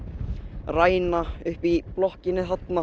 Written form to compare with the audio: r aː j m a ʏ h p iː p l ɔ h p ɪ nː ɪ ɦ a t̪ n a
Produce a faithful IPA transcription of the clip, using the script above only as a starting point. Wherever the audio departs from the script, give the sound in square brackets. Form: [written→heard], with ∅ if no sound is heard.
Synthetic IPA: r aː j [m→n] a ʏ h p [iː→i] p l ɔ h [p→c] ɪ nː ɪ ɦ a t̪ n a